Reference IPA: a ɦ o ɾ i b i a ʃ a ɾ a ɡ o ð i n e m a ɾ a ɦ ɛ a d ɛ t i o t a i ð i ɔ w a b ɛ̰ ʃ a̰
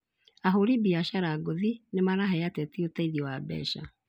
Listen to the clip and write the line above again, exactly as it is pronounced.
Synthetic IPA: a ɦ o ɾ i b i a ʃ a ɾ a ɡ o ð i n e m a ɾ a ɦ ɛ a t ɛ t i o t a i ð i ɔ w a b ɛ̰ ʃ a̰